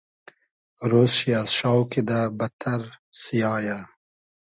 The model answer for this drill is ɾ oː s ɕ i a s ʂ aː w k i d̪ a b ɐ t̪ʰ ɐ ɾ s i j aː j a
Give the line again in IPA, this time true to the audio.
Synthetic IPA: ɾ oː s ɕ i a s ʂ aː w k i d̪ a b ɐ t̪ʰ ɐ ɾ s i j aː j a

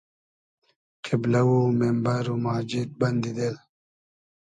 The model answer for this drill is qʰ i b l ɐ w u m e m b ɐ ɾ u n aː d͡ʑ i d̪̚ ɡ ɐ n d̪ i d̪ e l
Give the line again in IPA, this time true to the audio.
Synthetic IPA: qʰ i b l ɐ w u m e m b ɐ ɾ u m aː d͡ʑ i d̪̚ b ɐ n d̪ i d̪ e l

